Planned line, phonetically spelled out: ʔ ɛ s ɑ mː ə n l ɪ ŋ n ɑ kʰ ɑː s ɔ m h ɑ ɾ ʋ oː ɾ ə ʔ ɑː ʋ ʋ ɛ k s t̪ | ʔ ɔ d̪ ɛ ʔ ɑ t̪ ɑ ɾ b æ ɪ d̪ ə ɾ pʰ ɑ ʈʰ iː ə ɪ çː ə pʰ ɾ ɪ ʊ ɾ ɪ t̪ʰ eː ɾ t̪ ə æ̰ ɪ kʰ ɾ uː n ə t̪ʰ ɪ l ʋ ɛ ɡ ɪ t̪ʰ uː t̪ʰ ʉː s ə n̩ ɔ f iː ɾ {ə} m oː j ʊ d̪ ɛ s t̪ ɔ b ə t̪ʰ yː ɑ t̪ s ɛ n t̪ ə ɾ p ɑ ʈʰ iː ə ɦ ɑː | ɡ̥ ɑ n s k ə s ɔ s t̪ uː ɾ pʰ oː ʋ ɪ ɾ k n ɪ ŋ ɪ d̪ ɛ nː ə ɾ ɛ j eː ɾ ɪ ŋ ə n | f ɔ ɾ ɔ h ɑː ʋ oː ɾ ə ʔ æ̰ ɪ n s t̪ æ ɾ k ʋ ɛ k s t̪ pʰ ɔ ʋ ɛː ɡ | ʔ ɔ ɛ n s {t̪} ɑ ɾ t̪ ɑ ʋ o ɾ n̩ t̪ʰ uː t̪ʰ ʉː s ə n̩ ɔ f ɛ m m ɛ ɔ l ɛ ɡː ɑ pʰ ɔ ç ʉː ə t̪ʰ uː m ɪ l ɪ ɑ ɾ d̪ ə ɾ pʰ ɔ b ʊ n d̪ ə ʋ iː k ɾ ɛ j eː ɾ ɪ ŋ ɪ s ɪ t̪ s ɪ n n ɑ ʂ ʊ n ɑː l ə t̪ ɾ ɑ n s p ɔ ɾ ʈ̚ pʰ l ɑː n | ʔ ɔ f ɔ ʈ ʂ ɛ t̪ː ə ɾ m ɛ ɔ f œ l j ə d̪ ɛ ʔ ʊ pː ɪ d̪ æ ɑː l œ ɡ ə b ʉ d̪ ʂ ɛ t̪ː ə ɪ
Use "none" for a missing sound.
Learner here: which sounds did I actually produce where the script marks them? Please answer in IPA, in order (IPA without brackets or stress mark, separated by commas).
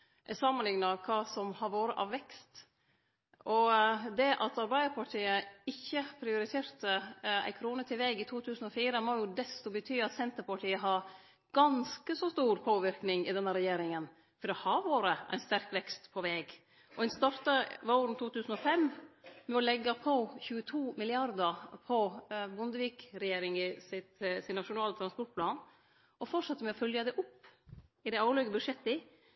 ə, t̪